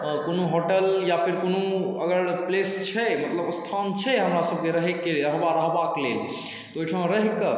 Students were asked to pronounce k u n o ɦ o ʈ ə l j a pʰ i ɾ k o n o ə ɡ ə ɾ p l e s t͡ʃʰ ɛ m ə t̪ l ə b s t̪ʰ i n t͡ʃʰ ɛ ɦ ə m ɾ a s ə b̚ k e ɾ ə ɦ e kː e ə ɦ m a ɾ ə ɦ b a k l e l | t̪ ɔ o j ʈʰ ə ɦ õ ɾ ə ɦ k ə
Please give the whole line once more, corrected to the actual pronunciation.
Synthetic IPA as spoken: k o n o ɦ o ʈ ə l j a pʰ i ɾ k o n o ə ɡ ə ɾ p l e s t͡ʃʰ ɛ m ə t̪ l ə b s t̪ʰ a n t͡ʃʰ ɛ ɦ ə m ɾ a s ə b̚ k e ɾ ə ɦ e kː e ə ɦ b a ɾ ə ɦ b a k l e l | t̪ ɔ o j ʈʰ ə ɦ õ ɾ ə ɦ k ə